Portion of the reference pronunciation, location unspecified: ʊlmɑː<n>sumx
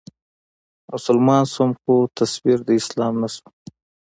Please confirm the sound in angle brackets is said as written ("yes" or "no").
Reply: yes